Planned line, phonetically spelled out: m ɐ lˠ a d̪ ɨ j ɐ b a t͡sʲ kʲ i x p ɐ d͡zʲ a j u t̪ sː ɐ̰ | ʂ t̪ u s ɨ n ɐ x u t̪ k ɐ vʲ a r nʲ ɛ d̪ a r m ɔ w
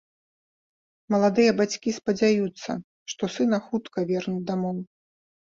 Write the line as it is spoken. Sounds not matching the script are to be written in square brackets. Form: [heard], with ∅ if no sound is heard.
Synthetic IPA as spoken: m ɐ lˠ a d̪ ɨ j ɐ b a t͡sʲ kʲ i [s] p ɐ d͡zʲ a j u t̪ sː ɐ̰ | ʂ t̪ [ɔ] s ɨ n ɐ x u t̪ k ɐ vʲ [ɛ] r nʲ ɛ d̪ a [∅] m ɔ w